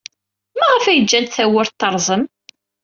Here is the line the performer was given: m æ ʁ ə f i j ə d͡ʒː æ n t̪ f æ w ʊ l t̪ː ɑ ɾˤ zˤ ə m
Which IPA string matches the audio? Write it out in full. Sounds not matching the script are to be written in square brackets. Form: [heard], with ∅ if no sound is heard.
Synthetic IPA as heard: m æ ʁ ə f [æ] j ə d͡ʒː æ n t̪ [θ] æ w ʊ [ɾ] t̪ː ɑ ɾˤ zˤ ə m